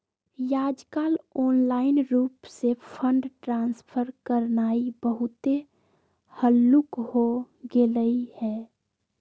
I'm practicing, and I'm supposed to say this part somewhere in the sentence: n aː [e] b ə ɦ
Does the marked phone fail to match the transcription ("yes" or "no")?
yes